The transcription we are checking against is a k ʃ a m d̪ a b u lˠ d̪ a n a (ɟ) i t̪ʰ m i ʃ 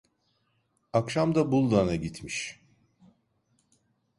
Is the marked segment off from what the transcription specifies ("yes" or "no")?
no